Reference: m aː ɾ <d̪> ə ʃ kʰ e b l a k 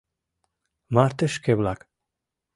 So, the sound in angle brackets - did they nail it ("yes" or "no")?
no